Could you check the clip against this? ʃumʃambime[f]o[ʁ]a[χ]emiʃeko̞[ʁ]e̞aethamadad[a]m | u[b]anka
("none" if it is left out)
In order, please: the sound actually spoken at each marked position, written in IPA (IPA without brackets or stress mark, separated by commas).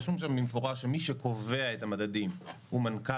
f, ʁ, ʃ, v, i, m